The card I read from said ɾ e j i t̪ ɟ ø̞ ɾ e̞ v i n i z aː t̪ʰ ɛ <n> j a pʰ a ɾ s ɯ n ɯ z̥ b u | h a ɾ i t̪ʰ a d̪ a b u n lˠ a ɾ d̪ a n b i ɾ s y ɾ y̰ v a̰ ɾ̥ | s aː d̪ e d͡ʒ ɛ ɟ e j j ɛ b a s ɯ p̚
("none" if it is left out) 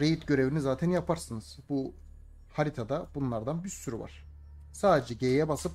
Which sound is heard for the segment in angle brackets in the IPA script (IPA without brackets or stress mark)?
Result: n